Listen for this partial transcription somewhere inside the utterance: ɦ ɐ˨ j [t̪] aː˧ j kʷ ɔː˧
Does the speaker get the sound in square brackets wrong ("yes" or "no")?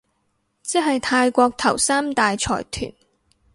yes